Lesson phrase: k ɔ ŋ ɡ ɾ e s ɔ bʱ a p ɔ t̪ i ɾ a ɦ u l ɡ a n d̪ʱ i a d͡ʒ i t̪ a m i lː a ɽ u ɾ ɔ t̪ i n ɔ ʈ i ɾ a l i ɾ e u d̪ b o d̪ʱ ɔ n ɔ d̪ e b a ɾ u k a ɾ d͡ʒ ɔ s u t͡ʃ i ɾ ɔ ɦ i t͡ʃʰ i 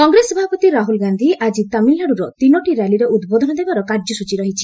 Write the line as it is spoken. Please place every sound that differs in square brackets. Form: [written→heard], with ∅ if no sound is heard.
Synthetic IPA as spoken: k ɔ ŋ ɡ ɾ e s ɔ bʱ a p ɔ t̪ i ɾ a ɦ u l ɡ a n d̪ʱ i a d͡ʒ i t̪ a m i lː a ɽ u ɾ ɔ t̪ i n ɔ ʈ i ɾ a l i ɾ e u d̪ b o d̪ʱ ɔ n ɔ d̪ e b a ɾ [u→ɔ] k a ɾ d͡ʒ ɔ s u t͡ʃ i ɾ ɔ ɦ i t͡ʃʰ i